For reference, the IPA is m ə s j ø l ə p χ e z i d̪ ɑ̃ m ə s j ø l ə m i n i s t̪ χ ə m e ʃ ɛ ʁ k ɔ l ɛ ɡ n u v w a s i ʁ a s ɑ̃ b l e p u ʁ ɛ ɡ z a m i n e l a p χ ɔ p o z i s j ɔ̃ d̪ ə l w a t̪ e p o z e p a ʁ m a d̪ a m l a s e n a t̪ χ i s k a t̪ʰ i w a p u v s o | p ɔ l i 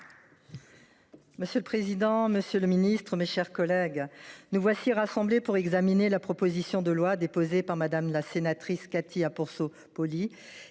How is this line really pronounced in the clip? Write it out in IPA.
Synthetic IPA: m ə s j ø l ə p χ e z i d̪ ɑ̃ m ə s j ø l ə m i n i s t̪ χ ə m e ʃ ɛ ʁ k ɔ l ɛ ɡ n u v w a s i ʁ a s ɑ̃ b l e p u ʁ ɛ ɡ z a m i n e l a p χ ɔ p o z i s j ɔ̃ d̪ ə l w a d̪ e p o z e p a ʁ m a d̪ a m l a s e n a t̪ χ i s k a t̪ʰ i a p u ʁ s o | p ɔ l i